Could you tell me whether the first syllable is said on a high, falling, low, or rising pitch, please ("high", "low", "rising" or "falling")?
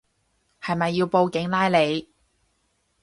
low